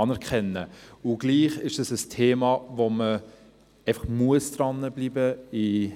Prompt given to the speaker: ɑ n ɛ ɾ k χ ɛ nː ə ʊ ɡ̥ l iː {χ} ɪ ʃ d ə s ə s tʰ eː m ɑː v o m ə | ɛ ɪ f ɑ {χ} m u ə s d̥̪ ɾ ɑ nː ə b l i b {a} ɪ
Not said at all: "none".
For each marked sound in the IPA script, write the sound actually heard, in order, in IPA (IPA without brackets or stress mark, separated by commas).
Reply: χ, χ, ə